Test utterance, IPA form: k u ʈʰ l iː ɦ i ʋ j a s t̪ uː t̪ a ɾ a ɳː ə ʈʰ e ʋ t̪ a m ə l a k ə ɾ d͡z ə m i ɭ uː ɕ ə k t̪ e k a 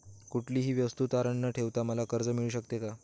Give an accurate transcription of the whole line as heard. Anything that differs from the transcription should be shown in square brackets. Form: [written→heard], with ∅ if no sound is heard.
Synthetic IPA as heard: k u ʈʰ l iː ɦ [i→iː] ʋ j [a→ə] s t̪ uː t̪ a ɾ [a→ə] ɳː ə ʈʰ e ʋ t̪ a m ə l a k ə ɾ d͡z ə m i ɭ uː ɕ ə k t̪ e k a

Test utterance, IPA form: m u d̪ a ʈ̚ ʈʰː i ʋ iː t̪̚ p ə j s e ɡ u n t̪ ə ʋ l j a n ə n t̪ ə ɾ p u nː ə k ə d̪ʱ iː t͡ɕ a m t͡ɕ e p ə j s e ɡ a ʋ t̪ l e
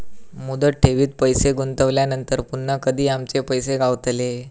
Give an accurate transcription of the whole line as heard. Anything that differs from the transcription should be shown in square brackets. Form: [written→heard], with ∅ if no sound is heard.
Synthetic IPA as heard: m u d̪ [a→ə] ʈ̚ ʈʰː [i→e] ʋ iː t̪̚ p ə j s e ɡ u n t̪ ə ʋ l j a n ə n t̪ ə ɾ p u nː ə k ə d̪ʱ iː [t͡ɕ→∅] a m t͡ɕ e p ə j s e ɡ a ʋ t̪ l e

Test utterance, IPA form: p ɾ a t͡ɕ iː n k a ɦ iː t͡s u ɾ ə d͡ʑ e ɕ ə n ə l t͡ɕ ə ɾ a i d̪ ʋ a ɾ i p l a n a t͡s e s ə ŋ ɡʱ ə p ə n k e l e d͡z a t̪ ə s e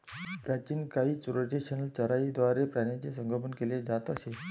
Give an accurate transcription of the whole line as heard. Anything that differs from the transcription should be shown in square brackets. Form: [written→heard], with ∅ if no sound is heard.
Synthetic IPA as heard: p ɾ a t͡ɕ iː n k a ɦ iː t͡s u ɾ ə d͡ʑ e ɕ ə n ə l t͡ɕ ə ɾ a i d̪ ʋ a ɾ [i→e] p [l→ɾ] a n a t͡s e s ə ŋ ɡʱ ə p ə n k e l e d͡z a t̪ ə s e

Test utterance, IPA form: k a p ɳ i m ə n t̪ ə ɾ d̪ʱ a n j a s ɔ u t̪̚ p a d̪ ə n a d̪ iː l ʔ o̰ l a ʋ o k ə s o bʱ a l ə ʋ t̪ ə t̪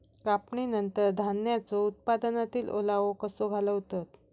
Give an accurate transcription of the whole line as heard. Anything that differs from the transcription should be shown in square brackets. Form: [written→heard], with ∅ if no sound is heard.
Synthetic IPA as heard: k a p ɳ i [m→n] ə n t̪ ə ɾ d̪ʱ a n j a [s→t͡s] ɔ u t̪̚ p a d̪ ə n a [d̪→t̪] iː l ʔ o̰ l a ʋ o k ə s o [bʱ→ɡʱ] a l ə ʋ t̪ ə t̪

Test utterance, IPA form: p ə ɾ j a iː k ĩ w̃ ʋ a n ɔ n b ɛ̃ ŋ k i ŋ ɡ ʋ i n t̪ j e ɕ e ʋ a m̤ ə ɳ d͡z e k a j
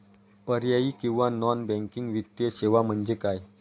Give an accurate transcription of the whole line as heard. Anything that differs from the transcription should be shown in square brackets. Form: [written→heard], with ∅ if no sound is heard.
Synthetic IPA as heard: p ə ɾ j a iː k ĩ w̃ ʋ a n ɔ n b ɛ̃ ŋ k i ŋ ɡ ʋ i [n→∅] t̪ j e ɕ e ʋ a m̤ ə ɳ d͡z e k a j

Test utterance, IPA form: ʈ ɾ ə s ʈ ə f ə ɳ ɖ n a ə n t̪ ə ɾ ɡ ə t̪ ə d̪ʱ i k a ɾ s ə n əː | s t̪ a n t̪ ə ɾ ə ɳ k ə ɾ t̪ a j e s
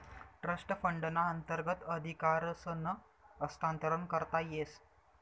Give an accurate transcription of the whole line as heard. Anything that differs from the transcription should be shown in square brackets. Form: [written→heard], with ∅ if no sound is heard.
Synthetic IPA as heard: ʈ ɾ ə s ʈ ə f ə ɳ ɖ n a ə n t̪ ə ɾ ɡ ə t̪ ə d̪ʱ i k a ɾ s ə n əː | s t̪ a n t̪ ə ɾ ə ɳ k ə ɾ t̪ a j e s

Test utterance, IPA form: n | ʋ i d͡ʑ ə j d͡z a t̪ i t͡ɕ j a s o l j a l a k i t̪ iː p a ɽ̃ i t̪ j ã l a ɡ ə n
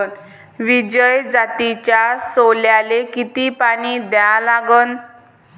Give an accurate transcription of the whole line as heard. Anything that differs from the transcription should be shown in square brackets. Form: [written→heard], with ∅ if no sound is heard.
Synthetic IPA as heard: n | ʋ i d͡ʑ ə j d͡z a t̪ i t͡ɕ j a s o l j a l [a→e] k i t̪ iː p a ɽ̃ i [t̪→d̪] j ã l a ɡ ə n

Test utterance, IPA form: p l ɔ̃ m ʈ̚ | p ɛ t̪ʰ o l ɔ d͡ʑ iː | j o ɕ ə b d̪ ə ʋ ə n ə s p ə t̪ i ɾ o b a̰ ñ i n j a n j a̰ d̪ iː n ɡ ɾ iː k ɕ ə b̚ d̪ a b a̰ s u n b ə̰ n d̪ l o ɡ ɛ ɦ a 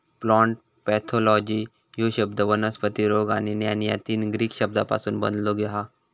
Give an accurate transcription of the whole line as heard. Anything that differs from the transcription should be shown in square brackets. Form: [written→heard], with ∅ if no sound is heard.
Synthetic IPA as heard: p l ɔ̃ [m→ɳ] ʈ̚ | p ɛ t̪ʰ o l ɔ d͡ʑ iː | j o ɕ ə b d̪ ə ʋ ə n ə s p ə t̪ i ɾ o [b→ɡ] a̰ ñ i n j a n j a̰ [d̪→t̪] iː n ɡ ɾ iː k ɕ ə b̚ d̪ a [b→p] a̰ s [u→uː] n b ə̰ n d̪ l o ɡ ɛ ɦ a

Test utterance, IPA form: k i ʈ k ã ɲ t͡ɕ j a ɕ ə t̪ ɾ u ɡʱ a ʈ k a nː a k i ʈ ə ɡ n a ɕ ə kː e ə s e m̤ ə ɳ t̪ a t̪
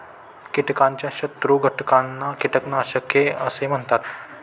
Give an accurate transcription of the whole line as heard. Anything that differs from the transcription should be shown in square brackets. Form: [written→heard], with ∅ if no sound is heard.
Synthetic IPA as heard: k i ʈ k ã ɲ t͡ɕ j a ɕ ə t̪ ɾ u ɡʱ [a→ə] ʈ k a nː a k i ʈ ə [ɡ→k] n a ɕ ə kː e ə s e m̤ ə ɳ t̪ a t̪

